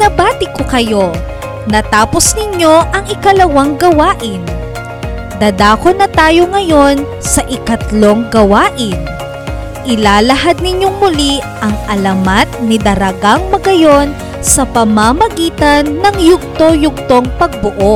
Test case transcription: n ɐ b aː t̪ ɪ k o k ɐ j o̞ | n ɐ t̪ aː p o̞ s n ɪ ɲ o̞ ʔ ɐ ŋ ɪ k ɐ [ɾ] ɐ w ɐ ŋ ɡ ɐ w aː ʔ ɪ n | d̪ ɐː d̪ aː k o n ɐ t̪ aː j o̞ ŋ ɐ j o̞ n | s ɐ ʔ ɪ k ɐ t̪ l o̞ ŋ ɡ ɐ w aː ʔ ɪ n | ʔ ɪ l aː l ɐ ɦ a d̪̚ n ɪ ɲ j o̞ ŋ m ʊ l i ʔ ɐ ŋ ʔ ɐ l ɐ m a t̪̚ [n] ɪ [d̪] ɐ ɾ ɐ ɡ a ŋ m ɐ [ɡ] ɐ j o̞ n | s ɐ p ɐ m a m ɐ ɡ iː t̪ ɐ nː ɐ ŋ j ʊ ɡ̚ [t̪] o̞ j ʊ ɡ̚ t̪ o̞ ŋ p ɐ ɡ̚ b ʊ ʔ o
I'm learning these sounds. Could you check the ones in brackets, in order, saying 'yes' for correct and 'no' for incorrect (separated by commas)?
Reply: no, yes, yes, yes, yes